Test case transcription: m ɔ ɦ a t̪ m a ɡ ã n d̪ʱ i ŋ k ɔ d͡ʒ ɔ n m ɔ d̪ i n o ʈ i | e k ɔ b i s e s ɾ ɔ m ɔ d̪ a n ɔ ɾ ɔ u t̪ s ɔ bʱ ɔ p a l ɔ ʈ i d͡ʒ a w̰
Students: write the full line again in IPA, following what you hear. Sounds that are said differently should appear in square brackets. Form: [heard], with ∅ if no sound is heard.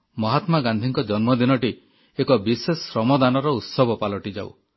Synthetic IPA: m ɔ ɦ a t̪ m a ɡ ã n d̪ʱ i ŋ k ɔ d͡ʒ ɔ n m ɔ d̪ i n [ɔ] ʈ i | e k ɔ b i s e s ɾ ɔ m ɔ d̪ a n ɔ ɾ ɔ u t̪ s ɔ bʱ ɔ p a l ɔ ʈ i d͡ʒ a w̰